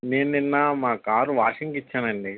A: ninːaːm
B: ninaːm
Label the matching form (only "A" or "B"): A